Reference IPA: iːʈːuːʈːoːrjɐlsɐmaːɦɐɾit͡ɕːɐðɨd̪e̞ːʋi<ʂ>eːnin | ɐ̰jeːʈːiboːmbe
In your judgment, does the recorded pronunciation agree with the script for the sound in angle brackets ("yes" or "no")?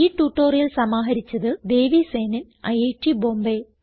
no